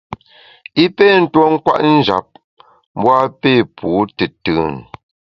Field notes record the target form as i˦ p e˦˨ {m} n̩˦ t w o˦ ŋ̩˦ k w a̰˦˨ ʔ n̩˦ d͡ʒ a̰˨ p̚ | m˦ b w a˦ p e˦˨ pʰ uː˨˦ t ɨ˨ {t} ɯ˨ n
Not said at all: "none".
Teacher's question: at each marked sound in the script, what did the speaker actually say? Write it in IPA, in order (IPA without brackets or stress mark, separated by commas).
none, t